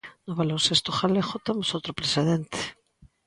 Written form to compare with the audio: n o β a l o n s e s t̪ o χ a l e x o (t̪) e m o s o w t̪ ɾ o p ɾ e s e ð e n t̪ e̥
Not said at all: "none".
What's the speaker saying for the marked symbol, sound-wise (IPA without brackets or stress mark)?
t̪